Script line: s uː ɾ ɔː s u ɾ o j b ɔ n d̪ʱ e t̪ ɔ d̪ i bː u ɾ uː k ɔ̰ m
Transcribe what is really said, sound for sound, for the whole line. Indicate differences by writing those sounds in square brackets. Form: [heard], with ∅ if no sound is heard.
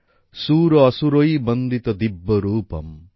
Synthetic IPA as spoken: s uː ɾ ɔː s u ɾ o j b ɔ n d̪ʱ [i] t̪ ɔ d̪ i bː [ɔ] ɾ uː [p] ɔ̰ m